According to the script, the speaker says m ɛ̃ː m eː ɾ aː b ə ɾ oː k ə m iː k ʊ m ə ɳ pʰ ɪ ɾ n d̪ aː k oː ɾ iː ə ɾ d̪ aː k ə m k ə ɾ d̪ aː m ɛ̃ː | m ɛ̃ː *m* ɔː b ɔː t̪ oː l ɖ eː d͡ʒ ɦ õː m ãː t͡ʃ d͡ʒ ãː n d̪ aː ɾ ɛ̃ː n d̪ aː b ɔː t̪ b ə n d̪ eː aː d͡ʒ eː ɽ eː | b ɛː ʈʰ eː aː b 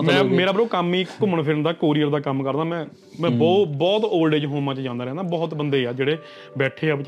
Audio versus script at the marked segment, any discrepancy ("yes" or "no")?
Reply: yes